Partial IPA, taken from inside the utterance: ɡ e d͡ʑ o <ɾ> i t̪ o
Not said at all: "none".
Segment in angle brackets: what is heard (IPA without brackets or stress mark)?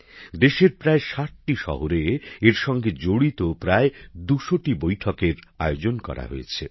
ɽ